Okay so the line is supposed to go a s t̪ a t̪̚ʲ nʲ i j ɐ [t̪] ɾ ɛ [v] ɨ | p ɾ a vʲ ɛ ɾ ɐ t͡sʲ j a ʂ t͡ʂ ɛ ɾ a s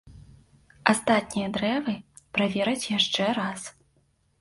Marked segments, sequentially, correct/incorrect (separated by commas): incorrect, correct